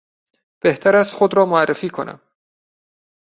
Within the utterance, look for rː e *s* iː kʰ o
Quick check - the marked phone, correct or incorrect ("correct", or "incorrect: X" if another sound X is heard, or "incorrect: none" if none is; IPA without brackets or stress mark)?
incorrect: f